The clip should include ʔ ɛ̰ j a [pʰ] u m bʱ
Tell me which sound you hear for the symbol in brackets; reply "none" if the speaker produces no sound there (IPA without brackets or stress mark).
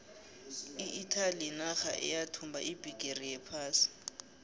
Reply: tʰ